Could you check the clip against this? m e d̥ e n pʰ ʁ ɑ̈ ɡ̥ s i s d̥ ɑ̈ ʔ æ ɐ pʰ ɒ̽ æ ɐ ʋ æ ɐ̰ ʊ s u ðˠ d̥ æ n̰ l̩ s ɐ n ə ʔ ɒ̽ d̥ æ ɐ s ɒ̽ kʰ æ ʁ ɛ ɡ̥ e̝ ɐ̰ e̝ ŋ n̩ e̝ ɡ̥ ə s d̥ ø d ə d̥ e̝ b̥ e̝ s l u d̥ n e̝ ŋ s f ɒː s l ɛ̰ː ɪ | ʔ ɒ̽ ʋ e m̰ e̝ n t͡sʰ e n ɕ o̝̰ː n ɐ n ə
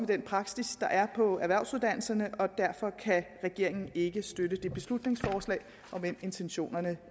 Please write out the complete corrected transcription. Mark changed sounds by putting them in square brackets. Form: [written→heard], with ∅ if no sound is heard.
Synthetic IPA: m e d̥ e n pʰ ʁ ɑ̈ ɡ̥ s i s d̥ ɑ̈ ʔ æ ɐ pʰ ɒ̽ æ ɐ ʋ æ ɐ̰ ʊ s u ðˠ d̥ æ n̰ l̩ s ɐ n ə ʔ ɒ̽ d̥ æ ɐ [s→f] ɒ̽ kʰ æ ʁ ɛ ɡ̥ e̝ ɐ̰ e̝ ŋ n̩ e̝ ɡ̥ ə s d̥ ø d ə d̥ e̝ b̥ e̝ s l u d̥ n e̝ ŋ s f ɒː s l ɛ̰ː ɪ | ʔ ɒ̽ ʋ e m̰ e̝ n t͡sʰ e n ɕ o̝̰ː n ɐ n ə